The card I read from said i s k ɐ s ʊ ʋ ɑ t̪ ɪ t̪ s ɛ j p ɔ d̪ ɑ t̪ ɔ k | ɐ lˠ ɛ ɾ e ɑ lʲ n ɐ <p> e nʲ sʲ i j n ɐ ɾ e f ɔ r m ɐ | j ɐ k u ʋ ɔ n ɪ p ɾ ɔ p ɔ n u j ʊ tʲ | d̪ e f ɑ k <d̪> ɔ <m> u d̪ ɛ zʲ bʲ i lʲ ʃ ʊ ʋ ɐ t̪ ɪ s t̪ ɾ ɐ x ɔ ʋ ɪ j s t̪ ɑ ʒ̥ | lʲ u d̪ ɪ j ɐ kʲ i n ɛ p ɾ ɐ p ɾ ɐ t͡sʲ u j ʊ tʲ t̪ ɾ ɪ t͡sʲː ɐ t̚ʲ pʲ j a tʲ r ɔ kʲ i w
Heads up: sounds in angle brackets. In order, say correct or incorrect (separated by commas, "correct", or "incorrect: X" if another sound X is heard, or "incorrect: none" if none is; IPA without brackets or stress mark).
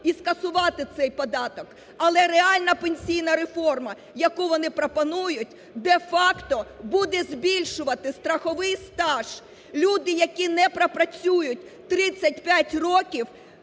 correct, incorrect: t̪, incorrect: b